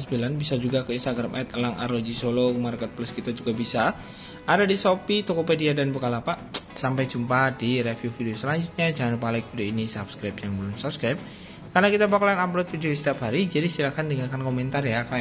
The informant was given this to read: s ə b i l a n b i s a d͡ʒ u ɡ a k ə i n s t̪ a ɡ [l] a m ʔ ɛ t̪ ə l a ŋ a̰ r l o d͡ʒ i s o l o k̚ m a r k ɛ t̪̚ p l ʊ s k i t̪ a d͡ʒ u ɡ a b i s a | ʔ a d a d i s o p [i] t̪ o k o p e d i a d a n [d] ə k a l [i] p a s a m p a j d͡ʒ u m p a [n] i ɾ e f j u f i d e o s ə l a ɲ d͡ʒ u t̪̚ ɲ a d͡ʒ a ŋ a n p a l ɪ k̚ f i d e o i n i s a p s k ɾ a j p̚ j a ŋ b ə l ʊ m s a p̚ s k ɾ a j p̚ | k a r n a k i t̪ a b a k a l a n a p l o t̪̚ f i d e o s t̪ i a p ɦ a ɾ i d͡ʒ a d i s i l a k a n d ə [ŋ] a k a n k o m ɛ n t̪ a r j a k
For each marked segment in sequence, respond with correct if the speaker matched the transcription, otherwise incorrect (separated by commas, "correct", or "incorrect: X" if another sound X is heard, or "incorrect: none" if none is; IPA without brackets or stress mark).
incorrect: ɾ, correct, incorrect: b, incorrect: a, incorrect: d, correct